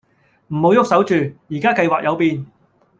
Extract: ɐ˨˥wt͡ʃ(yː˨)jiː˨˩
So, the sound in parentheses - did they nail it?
yes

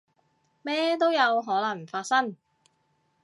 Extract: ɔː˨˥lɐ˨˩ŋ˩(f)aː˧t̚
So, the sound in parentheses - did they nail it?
yes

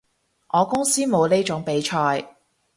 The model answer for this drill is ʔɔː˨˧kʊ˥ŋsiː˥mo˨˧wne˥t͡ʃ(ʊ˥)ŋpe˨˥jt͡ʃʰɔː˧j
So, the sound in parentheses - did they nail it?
no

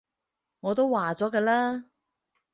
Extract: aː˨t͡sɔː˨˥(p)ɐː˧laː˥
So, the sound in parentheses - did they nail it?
no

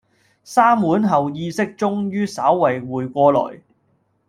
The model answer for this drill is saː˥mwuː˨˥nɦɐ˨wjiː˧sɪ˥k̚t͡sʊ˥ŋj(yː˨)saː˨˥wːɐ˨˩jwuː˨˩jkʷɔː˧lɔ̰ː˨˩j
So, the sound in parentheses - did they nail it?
no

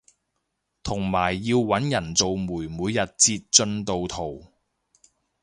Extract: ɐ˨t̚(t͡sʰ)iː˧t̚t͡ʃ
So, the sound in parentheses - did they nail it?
no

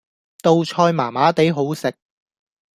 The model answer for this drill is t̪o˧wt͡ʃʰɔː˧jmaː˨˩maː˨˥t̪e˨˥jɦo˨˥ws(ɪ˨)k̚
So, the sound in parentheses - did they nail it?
yes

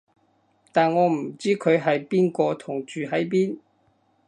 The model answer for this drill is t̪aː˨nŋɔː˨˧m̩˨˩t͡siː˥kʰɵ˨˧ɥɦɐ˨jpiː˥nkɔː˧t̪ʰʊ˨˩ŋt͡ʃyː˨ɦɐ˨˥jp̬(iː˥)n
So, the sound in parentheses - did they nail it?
yes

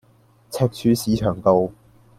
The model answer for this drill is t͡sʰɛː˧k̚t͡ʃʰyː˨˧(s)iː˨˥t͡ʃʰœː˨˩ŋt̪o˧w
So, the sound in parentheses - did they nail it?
yes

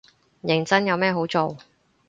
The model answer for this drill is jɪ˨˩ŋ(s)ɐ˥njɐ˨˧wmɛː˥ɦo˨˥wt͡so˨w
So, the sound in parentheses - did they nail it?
no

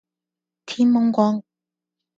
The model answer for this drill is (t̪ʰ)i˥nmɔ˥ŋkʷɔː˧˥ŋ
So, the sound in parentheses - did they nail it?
yes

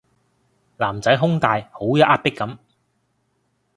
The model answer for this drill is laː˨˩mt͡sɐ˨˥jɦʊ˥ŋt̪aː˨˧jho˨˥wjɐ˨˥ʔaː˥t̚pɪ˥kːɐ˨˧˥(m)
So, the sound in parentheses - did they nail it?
yes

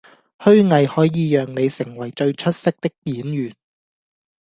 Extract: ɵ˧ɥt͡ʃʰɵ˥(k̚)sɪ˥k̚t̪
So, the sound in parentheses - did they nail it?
no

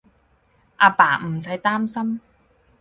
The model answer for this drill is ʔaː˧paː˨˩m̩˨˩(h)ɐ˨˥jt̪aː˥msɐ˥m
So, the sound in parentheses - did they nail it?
no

